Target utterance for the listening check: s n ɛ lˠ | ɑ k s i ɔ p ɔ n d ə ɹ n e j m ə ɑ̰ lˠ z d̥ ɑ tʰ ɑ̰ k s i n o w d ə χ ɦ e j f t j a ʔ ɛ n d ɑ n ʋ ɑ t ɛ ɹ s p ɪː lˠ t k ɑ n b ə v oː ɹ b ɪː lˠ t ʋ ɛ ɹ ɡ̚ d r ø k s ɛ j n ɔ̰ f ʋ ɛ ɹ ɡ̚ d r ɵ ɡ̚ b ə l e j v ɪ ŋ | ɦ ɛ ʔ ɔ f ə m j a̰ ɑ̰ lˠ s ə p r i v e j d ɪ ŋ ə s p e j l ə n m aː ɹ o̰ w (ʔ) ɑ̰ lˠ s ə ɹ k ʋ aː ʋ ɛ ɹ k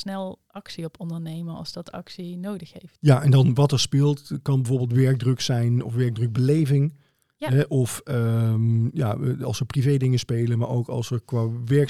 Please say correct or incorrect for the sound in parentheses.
incorrect